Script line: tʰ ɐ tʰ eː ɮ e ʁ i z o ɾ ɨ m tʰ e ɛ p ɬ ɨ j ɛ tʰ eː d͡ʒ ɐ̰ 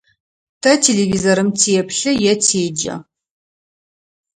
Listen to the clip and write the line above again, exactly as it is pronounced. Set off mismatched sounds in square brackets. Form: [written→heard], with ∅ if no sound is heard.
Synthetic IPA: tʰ ɐ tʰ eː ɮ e [ʁ→v] i z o ɾ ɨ m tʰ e ɛ p ɬ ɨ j ɛ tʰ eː d͡ʒ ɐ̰